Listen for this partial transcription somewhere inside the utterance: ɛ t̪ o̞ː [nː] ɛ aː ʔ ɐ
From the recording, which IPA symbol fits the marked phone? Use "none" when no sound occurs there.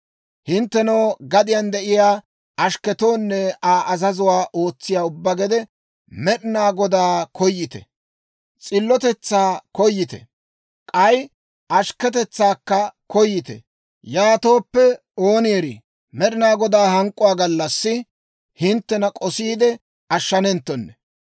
nː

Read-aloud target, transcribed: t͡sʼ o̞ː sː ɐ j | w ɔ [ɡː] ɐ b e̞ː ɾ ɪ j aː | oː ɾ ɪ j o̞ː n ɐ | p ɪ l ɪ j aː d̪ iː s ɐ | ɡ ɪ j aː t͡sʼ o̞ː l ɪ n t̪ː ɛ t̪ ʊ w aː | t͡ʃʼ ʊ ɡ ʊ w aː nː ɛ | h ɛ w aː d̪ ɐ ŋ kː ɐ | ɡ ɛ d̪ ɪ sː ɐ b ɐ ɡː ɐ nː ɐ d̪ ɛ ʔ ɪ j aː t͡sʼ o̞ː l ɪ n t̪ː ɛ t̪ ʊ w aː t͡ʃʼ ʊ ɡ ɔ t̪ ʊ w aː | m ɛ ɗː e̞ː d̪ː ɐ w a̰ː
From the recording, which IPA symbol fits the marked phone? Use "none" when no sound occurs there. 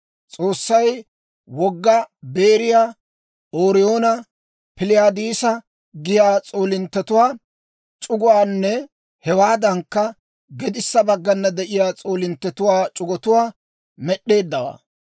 ɡː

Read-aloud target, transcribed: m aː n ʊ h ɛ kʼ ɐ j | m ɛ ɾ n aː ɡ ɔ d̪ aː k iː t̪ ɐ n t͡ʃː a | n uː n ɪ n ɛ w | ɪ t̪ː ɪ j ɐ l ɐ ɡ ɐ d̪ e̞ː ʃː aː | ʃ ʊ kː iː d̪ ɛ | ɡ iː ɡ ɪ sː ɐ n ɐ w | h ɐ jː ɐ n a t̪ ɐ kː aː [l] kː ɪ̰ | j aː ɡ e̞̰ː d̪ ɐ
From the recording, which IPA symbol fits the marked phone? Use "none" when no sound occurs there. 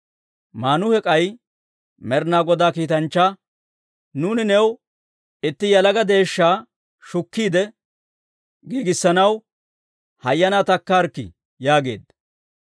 ɾ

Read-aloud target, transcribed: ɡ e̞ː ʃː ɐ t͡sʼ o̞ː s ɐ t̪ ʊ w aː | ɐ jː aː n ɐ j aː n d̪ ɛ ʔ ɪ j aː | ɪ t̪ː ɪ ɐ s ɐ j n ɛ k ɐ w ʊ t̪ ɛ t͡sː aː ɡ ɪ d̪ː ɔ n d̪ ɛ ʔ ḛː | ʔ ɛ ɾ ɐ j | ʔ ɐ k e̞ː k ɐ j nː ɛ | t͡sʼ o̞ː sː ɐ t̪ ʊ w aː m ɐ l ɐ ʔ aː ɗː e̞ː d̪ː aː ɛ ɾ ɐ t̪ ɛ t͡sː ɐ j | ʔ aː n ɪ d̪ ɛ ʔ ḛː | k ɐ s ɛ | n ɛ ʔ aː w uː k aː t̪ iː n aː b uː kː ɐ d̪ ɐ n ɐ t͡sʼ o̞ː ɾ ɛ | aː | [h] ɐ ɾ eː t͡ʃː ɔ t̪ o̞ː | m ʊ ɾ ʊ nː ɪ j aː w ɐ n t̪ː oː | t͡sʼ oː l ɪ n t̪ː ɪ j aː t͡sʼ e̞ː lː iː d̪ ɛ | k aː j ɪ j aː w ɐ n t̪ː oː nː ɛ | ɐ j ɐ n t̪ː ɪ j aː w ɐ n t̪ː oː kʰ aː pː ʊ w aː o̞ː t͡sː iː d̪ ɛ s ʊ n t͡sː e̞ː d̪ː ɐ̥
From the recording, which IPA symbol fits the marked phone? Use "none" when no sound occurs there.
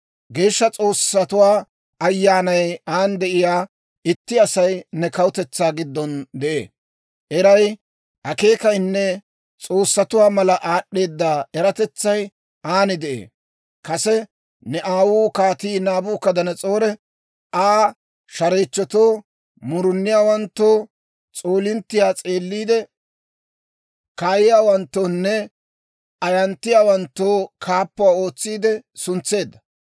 ʃ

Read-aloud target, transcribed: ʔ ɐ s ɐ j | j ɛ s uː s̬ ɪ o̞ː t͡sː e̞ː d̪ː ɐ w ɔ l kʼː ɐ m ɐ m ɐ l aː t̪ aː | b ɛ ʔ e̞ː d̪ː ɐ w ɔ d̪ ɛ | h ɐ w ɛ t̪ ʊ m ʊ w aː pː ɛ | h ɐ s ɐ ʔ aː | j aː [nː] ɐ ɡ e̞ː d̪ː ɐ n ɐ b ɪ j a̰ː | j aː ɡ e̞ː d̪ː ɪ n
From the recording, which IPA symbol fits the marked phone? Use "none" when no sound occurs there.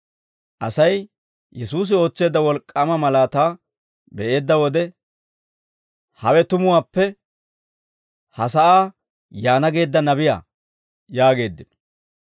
n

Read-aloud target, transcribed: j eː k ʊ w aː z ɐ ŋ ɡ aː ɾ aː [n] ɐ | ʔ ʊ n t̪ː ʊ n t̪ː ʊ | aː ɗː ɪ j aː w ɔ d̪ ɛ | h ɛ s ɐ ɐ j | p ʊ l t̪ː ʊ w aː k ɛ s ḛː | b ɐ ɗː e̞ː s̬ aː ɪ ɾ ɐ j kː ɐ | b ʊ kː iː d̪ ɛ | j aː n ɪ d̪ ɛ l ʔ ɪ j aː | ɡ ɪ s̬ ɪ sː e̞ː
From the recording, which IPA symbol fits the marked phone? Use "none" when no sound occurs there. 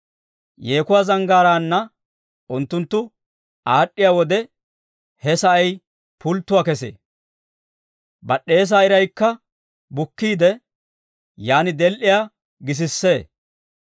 nː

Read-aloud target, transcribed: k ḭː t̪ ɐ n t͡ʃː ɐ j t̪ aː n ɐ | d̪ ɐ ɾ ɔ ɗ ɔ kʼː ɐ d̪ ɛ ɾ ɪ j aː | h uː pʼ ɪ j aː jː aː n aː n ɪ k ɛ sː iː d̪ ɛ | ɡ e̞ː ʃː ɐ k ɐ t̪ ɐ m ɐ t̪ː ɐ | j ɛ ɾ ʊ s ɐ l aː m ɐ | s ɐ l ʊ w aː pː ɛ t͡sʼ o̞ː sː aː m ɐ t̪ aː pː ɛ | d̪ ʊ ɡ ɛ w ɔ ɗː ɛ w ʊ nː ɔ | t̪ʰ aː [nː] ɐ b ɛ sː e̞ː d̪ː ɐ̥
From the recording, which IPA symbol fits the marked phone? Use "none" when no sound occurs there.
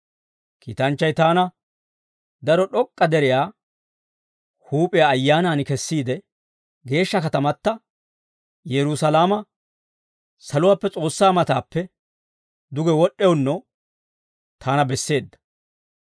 n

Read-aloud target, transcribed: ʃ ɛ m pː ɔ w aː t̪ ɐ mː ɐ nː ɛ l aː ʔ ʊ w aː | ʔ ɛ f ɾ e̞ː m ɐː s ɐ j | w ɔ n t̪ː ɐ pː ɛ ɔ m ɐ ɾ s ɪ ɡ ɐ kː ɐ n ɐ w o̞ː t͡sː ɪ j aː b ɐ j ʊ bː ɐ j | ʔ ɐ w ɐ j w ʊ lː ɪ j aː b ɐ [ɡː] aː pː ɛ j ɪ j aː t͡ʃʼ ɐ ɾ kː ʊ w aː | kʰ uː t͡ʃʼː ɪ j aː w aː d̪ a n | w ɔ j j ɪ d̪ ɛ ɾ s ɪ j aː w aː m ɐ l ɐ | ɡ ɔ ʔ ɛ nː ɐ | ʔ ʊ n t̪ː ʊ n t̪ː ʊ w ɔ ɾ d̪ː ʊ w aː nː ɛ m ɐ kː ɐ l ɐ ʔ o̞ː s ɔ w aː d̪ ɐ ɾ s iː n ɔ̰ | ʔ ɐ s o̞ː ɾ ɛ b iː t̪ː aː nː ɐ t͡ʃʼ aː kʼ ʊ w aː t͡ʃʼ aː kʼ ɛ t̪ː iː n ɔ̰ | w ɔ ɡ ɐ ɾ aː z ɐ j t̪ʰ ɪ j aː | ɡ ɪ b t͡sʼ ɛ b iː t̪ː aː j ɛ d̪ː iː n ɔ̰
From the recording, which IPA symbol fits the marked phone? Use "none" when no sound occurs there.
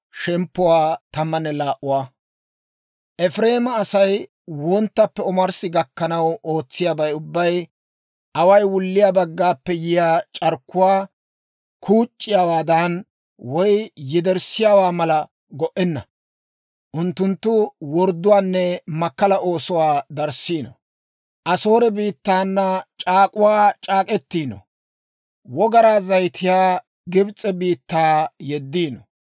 ɡː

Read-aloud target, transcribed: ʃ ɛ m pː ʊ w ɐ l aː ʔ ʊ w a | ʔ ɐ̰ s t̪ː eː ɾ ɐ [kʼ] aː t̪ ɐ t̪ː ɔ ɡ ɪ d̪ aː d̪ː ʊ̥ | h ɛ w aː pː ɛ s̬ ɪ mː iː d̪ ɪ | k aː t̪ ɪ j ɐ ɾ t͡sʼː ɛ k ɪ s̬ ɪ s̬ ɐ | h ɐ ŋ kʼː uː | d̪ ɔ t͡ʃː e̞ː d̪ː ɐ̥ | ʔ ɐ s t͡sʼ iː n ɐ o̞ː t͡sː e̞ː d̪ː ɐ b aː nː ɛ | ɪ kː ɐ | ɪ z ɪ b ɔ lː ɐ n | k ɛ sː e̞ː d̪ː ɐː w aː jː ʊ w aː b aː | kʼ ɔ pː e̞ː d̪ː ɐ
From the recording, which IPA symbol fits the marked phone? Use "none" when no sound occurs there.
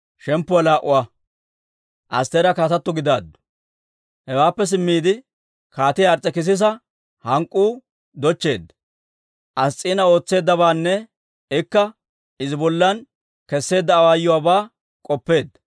k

